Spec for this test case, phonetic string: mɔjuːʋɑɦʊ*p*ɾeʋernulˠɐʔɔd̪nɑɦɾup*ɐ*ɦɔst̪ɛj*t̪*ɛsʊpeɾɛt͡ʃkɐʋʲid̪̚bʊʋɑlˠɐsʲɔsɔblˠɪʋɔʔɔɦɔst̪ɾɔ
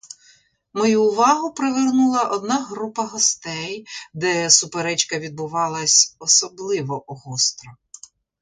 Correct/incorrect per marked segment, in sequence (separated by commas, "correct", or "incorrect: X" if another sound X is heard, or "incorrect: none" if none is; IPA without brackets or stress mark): correct, correct, incorrect: d̪